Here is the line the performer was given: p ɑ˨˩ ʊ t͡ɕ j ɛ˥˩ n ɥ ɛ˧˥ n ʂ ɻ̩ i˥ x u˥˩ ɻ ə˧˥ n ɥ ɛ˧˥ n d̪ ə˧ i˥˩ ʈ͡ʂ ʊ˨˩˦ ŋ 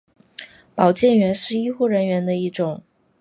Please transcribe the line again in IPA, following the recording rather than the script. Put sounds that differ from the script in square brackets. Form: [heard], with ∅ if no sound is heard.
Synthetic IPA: p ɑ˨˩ ʊ t͡ɕ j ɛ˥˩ n ɥ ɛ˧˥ n ʂ ɻ̩ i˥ x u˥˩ ɻ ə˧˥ n ɥ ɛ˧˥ n d̪ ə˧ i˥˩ ʈ͡ʂ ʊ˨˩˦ ŋ